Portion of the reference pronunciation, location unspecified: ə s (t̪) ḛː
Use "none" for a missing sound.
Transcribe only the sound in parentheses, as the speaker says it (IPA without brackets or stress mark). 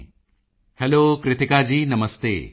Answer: t̪